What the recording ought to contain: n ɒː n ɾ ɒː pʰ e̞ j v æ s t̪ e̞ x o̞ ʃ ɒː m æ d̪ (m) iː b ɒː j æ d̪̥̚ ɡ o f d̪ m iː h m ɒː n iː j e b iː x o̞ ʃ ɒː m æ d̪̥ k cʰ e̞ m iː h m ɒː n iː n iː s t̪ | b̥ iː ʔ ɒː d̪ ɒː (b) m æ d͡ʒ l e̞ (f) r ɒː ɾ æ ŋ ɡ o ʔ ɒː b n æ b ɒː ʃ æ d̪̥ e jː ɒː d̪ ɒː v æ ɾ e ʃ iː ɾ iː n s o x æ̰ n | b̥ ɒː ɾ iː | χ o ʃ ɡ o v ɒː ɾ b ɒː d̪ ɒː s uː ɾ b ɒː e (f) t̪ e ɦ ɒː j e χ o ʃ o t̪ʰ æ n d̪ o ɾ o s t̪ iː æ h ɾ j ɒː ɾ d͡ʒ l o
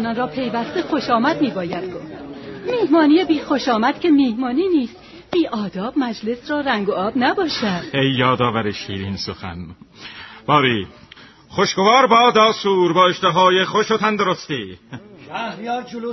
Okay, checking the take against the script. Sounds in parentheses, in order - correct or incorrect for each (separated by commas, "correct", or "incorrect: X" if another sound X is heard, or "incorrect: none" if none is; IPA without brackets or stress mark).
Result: correct, correct, incorrect: s, incorrect: ʃ